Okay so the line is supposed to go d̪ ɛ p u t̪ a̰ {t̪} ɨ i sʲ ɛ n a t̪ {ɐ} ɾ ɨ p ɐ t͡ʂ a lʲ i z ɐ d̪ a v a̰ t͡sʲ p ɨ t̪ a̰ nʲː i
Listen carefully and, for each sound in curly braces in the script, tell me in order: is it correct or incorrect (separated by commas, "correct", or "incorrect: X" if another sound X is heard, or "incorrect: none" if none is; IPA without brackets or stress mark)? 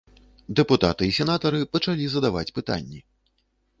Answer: correct, correct